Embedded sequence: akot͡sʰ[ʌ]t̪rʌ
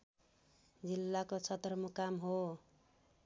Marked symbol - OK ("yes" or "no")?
yes